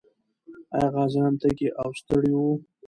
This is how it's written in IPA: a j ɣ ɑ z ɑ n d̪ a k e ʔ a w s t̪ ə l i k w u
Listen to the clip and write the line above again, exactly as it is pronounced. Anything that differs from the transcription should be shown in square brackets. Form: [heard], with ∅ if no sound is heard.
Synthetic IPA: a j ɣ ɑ z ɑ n [t̪] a k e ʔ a w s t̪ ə [ɽ] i [∅] w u